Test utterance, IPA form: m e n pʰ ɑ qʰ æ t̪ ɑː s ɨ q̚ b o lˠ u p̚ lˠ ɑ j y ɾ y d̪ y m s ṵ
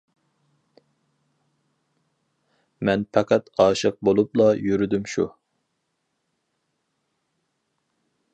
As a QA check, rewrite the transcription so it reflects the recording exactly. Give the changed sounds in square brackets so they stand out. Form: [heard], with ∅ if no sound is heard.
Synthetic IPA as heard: m [ɛ] n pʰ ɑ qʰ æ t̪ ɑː [ʃ] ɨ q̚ b o lˠ u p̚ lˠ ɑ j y ɾ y d̪ y m [ʃ] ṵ